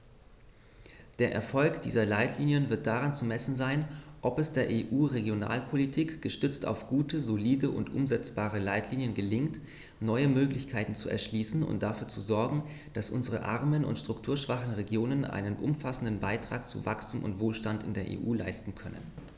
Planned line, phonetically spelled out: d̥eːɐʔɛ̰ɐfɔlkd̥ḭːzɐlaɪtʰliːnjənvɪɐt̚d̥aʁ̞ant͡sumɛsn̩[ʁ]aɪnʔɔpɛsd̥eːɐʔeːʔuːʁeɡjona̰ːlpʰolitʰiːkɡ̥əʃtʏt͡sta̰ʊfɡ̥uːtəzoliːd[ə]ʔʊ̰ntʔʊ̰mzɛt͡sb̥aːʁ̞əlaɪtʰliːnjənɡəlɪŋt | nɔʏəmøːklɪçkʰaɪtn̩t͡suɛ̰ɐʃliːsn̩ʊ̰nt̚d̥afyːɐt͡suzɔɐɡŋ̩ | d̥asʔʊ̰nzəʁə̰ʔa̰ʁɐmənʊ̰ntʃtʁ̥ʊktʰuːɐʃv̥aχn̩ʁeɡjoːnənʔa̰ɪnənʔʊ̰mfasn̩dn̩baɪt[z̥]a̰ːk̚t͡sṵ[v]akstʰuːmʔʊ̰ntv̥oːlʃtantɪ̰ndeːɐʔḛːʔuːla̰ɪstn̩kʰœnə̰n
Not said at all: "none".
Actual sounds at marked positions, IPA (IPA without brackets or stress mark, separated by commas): z, ə, ʁ̥, v